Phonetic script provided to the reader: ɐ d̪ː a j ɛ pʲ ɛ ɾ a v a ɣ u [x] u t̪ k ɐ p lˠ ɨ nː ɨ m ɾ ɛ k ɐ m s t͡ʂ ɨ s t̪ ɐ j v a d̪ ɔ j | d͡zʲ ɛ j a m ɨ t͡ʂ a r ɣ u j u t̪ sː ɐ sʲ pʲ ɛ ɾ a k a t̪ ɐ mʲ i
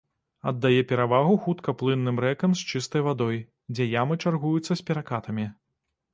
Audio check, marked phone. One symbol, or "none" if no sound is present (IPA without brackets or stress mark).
x